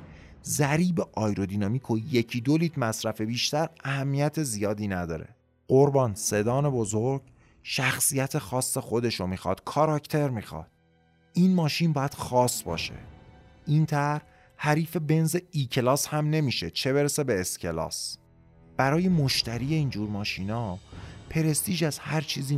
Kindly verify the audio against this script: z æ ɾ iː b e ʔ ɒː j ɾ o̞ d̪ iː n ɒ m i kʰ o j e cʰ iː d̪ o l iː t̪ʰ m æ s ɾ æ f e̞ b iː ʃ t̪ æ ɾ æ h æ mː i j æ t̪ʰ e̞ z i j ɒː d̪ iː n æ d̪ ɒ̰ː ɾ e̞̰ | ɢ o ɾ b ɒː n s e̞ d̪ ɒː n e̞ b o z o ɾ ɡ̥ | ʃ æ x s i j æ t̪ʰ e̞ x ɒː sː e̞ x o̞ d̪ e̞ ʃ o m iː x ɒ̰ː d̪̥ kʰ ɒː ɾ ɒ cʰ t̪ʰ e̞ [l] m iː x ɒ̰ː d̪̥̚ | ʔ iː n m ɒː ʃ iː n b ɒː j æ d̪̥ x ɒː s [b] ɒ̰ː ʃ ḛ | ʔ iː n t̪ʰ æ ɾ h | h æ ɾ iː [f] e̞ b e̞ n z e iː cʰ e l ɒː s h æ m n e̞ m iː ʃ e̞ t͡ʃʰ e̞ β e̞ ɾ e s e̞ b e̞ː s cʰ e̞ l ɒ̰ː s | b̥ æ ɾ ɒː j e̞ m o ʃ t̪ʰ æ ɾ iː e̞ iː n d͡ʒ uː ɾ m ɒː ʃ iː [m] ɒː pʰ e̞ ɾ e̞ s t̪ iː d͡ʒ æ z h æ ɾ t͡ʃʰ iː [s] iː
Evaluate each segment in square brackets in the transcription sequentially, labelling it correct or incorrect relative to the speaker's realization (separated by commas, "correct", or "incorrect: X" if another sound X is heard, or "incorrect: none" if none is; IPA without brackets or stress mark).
incorrect: ɾ, correct, correct, incorrect: n, incorrect: z